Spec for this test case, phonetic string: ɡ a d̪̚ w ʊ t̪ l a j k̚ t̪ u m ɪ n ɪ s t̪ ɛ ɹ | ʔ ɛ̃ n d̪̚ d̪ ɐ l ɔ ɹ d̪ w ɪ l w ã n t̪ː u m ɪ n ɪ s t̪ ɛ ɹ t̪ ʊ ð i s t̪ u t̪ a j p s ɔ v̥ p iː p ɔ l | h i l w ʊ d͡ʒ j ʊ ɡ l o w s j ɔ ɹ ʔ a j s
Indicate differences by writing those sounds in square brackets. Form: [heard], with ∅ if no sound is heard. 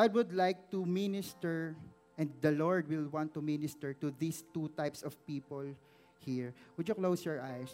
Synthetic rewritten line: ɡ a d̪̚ w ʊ [d̪] l a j k̚ t̪ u m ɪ n ɪ s t̪ ɛ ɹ | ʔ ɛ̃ n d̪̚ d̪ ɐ l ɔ ɹ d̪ w ɪ l w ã n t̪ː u m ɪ n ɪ s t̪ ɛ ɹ t̪ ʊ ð i s t̪ u t̪ a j p s ɔ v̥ p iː p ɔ l | h i [ɹ] w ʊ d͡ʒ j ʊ [k] l o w s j ɔ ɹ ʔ a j s